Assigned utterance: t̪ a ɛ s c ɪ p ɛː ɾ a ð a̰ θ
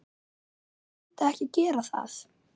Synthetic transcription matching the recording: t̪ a ɛ h c ɪ c ɛː ɾ a θ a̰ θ